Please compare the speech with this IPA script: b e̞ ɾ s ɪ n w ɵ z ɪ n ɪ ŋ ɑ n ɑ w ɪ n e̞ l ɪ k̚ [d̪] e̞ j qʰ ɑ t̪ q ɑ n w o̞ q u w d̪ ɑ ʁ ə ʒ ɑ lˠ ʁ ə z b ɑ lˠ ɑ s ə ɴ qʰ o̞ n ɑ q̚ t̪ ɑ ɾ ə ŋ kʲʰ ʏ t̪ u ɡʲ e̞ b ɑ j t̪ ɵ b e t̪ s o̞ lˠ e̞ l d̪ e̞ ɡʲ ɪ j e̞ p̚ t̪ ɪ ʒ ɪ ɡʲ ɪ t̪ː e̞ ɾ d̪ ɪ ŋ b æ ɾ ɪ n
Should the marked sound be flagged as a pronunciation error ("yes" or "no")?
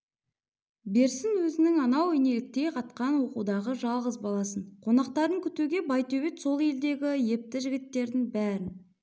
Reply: yes